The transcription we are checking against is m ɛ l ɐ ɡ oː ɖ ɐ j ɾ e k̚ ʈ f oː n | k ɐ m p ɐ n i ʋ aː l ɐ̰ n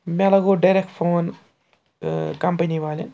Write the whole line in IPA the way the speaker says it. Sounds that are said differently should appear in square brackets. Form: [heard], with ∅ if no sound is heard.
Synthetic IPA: m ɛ l ɐ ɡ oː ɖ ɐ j ɾ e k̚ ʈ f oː n | k ɐ m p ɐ n i ʋ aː l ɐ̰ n